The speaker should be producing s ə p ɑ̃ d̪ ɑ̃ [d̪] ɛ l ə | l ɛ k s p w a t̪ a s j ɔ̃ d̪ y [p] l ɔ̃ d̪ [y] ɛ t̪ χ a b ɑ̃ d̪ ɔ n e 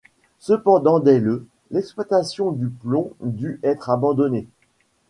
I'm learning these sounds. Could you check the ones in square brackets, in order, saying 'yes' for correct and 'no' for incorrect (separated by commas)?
yes, yes, yes